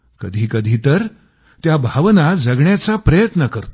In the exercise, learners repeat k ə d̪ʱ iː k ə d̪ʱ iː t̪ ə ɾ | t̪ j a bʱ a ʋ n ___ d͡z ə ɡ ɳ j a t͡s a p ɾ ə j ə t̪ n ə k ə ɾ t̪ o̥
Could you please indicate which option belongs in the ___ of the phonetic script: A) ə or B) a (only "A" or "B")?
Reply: B